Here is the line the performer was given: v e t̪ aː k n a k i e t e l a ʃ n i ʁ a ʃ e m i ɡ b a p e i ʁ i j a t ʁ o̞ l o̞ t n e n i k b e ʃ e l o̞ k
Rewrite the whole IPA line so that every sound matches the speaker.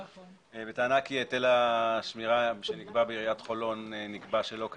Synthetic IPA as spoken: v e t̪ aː n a k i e t e l a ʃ m i ʁ a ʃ e n i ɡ b a b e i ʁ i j a t χ o̞ l o̞ n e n i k b a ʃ e l o̞ k